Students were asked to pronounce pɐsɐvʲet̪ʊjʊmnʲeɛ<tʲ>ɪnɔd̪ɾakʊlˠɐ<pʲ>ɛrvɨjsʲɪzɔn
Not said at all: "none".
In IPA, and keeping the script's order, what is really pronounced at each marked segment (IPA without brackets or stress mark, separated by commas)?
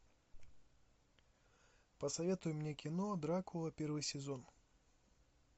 kʲ, pʲ